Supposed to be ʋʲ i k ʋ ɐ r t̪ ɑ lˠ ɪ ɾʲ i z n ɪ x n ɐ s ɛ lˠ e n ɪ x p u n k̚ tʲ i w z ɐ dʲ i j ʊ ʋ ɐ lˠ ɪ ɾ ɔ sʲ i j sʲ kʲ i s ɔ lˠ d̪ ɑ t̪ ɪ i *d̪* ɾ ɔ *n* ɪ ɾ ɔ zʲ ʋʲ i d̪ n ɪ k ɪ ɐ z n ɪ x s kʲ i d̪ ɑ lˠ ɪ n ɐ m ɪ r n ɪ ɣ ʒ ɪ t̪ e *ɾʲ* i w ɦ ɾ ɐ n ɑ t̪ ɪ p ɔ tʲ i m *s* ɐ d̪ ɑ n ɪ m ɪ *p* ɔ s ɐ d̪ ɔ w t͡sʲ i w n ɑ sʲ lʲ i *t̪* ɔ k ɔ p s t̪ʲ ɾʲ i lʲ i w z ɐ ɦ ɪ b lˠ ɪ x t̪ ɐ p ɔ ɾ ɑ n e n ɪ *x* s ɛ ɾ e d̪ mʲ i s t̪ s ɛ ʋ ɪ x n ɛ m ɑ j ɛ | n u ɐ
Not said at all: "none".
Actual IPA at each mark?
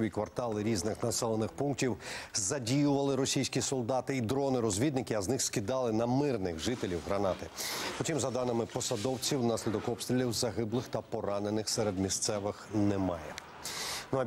d̪, n, lʲ, z, p, d̪, x

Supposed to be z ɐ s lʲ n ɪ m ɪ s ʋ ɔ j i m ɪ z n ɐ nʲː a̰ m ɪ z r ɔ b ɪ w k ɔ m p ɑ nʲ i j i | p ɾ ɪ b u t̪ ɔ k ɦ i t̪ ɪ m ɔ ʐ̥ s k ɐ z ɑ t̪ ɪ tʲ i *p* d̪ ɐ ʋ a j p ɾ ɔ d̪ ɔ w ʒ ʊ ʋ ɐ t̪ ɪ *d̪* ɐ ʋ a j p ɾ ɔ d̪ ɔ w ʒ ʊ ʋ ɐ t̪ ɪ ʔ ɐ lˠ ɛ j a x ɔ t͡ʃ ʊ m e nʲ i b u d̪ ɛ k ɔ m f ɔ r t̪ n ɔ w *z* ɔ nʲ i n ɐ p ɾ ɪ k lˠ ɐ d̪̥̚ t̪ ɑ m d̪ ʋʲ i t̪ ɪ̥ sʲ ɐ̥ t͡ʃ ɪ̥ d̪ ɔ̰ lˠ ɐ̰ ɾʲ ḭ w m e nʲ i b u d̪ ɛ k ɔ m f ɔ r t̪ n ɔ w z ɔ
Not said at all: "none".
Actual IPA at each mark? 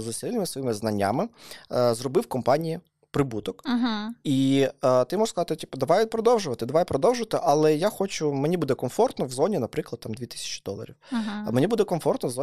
p, d̪, z

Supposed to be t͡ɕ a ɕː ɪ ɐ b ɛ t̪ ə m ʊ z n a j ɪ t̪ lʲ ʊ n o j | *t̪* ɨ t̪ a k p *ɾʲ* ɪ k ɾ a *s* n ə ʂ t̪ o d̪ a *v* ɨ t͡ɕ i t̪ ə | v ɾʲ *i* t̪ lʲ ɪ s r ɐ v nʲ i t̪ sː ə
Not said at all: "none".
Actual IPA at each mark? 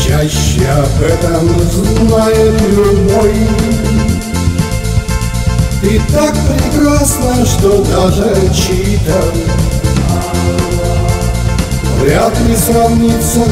t̪, ɾʲ, s, ʐ, a

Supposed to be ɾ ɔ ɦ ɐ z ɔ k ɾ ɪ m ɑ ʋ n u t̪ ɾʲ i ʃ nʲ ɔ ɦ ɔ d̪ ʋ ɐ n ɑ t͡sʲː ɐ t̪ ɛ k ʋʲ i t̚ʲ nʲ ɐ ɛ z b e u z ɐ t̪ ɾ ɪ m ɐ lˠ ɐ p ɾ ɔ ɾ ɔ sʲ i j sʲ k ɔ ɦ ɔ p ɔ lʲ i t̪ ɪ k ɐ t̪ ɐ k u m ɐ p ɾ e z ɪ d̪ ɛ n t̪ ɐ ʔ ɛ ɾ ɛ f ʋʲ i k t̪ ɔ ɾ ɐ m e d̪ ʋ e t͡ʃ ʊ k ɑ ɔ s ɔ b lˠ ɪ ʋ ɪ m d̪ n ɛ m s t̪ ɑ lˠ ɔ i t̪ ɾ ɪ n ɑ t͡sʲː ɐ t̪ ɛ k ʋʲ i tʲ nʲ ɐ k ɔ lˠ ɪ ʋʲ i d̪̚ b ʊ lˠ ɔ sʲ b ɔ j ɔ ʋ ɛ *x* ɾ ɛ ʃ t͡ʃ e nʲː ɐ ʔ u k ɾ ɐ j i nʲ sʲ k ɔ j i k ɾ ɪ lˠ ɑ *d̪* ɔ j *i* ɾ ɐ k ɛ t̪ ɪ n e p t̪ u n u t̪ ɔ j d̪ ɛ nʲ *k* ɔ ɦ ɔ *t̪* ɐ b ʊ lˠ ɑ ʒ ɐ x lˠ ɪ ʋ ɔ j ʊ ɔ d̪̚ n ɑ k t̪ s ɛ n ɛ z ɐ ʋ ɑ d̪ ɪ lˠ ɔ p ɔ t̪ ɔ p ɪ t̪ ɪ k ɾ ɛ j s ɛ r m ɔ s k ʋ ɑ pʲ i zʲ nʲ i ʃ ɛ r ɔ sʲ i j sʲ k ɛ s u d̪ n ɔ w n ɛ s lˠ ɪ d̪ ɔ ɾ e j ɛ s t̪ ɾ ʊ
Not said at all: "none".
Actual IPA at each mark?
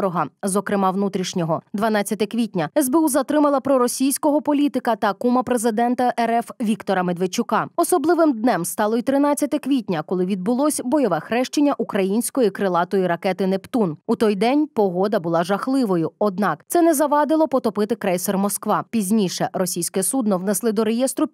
x, t̪, i, p, d̪

